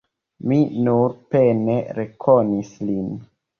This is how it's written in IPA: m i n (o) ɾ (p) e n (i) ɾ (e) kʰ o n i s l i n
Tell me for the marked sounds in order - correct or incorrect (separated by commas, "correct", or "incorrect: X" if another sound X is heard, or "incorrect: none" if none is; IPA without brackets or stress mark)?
incorrect: u, correct, incorrect: e, correct